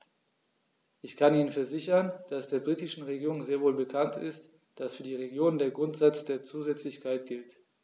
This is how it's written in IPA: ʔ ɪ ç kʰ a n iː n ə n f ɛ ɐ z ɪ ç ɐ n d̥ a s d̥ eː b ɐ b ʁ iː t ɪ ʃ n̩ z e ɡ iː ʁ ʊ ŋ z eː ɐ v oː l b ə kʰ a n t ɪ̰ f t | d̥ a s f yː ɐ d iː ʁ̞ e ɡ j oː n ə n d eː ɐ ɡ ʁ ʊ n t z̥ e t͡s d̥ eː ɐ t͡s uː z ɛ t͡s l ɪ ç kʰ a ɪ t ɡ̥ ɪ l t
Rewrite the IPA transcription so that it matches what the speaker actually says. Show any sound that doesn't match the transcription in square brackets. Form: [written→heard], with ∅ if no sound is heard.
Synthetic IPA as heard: ʔ ɪ ç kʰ a n iː n ə n f ɛ ɐ z ɪ ç ɐ n d̥ a s d̥ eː [b→∅] ɐ b ʁ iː t ɪ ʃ n̩ [z→ʁ] e ɡ iː ʁ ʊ ŋ z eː ɐ v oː l b ə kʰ a n t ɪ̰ [f→s] t | d̥ a s f yː ɐ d iː ʁ̞ e ɡ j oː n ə n d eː ɐ ɡ ʁ ʊ n t z̥ [e→a] t͡s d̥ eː ɐ t͡s uː z ɛ t͡s l ɪ ç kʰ a ɪ t ɡ̥ ɪ l t